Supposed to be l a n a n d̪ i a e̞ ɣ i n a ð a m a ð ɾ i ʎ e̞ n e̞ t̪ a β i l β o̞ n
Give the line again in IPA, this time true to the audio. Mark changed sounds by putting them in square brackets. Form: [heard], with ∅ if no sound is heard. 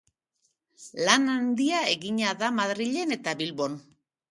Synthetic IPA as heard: l a n a n d̪ i a e̞ ɣ i [ɲ] a ð a m a ð ɾ i ʎ e̞ n e̞ t̪ a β i l β o̞ n